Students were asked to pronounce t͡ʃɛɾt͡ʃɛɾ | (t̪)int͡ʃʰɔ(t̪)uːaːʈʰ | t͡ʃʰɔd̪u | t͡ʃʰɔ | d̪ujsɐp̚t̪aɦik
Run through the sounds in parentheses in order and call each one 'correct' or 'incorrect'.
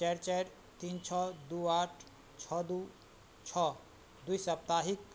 correct, incorrect: d̪

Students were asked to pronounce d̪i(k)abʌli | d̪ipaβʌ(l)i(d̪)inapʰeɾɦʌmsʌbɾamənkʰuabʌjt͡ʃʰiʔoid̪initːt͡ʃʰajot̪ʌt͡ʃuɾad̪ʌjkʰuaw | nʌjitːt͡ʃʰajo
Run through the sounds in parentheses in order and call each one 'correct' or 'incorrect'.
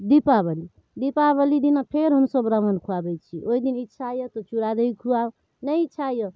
incorrect: p, correct, correct

